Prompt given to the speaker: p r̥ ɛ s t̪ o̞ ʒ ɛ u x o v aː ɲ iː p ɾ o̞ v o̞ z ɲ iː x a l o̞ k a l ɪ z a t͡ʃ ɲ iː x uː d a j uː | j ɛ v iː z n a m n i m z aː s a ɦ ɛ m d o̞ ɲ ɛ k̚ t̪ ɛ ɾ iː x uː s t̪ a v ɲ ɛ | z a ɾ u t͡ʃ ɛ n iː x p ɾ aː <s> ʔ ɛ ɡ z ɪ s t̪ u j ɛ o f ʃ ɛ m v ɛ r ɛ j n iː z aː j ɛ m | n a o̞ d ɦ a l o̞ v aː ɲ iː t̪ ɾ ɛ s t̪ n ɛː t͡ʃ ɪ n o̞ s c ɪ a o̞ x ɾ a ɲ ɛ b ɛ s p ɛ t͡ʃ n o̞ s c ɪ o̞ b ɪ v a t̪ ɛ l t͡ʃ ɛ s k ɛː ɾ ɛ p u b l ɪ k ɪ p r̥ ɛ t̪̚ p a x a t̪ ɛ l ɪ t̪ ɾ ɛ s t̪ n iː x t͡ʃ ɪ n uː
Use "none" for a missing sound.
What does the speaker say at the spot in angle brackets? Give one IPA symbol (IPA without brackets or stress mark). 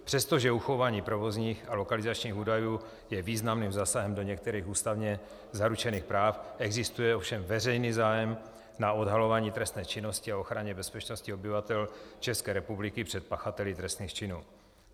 f